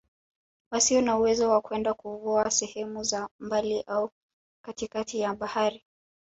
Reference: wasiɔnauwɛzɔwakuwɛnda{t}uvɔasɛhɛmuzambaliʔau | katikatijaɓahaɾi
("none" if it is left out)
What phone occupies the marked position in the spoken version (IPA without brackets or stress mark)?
k